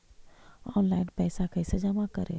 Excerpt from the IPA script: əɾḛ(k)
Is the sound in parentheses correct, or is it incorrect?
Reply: incorrect